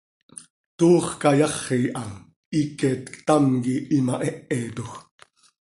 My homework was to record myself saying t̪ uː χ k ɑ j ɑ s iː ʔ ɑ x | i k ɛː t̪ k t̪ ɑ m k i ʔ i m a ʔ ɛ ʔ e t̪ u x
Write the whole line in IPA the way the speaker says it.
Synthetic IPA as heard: t̪ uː χ k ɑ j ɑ χ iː ʔ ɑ | i k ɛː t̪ k t̪ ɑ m k i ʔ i m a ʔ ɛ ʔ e t̪ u x